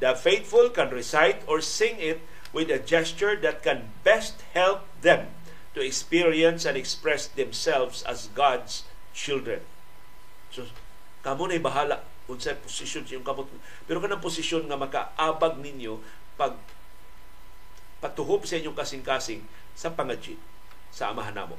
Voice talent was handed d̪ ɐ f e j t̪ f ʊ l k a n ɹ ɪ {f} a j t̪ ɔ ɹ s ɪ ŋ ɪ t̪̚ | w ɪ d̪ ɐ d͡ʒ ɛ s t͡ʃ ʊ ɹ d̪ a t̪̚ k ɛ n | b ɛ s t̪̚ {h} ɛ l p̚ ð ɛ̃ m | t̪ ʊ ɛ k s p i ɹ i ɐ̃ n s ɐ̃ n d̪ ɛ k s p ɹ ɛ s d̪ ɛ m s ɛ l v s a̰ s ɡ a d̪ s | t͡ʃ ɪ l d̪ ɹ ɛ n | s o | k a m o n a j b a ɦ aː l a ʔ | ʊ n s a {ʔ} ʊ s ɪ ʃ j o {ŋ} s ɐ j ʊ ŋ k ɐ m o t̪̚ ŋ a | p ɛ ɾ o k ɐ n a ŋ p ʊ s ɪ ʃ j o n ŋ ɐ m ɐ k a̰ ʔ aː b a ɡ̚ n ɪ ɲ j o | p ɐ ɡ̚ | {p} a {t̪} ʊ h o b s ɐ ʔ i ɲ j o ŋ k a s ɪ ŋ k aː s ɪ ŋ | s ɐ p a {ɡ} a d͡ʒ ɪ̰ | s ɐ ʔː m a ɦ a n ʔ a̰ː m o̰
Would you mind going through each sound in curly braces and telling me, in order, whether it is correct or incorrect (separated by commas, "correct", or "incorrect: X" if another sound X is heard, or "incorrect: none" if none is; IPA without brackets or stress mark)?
incorrect: s, correct, incorrect: p, incorrect: n, correct, correct, incorrect: ŋ